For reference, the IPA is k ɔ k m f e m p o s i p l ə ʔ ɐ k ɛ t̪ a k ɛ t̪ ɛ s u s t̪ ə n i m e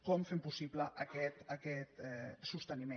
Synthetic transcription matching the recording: k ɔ m f e m p u s i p l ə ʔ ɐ k ɛ t̪ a k ɛ t̪ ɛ s u s t̪ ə n i m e